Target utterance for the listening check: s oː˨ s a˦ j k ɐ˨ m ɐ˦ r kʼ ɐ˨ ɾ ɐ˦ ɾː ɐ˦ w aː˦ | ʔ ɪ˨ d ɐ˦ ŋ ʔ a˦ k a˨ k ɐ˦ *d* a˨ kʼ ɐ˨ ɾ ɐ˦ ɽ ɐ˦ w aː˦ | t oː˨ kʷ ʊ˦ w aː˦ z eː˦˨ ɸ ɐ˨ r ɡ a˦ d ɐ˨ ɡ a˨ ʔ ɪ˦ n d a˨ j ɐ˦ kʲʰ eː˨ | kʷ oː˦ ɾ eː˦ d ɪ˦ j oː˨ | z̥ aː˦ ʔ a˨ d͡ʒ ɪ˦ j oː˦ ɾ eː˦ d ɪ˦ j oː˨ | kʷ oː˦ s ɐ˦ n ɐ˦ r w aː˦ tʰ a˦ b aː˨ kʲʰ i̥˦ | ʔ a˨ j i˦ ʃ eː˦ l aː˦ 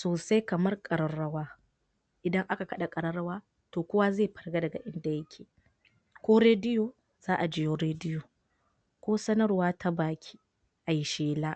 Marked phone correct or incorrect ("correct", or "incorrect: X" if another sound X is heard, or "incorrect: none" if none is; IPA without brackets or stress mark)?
incorrect: ɗ